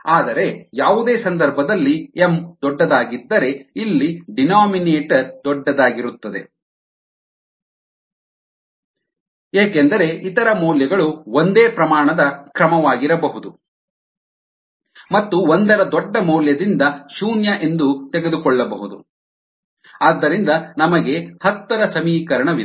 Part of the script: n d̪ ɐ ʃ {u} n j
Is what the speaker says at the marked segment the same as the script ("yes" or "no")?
no